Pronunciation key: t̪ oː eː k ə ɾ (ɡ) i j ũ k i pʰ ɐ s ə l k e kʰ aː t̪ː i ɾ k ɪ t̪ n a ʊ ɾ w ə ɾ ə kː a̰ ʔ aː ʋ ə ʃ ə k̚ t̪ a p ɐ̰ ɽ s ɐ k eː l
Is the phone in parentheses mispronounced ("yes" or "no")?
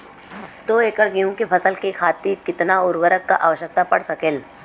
no